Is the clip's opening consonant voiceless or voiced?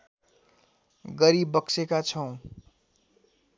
voiced